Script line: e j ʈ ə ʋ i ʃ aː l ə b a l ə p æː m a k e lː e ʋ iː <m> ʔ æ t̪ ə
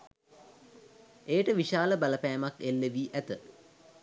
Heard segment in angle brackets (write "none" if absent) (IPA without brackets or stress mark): none